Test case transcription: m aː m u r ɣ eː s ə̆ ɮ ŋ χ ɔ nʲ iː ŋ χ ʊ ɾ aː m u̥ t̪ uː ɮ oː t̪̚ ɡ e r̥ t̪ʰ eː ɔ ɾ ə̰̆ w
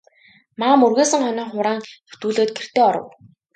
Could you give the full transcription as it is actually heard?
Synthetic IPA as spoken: m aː m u r ɣ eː s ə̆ ŋ χ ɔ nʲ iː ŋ χ ʊ ɾ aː ŋ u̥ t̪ uː ɮ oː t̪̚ ɡ e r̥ t̪ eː ɔ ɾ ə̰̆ w